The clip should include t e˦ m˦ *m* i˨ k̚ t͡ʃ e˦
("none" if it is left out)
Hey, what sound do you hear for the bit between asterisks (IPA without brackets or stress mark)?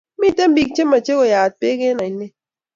b